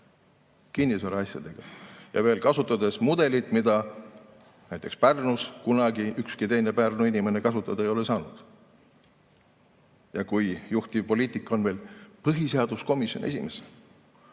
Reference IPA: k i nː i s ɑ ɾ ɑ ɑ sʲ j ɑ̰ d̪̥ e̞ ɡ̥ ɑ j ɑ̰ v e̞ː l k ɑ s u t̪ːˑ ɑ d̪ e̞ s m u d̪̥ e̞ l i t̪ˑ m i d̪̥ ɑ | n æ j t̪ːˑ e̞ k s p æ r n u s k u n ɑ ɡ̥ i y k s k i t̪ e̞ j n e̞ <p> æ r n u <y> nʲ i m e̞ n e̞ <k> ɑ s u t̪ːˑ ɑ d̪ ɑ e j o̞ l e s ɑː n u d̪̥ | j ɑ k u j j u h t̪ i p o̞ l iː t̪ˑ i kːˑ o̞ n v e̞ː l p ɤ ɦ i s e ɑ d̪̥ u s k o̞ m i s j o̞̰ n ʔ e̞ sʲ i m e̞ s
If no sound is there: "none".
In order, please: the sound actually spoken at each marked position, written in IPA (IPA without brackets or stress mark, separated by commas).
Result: p, i, k